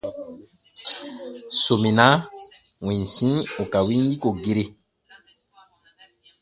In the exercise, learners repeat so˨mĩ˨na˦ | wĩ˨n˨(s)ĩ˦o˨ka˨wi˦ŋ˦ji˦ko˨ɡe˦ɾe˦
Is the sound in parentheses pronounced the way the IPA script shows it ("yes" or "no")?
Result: yes